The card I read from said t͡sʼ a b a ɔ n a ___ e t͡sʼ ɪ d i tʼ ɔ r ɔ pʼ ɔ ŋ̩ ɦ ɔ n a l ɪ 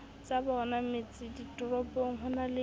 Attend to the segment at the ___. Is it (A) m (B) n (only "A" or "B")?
A